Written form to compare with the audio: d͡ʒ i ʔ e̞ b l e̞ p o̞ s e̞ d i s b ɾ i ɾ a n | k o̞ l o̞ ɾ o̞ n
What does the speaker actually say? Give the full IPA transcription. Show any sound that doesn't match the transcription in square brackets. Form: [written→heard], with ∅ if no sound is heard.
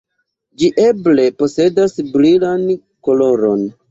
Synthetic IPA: d͡ʒ i ʔ e̞ b l e̞ p o̞ s e̞ d [i→a] s b ɾ i [ɾ→l] a n | k o̞ l o̞ ɾ o̞ n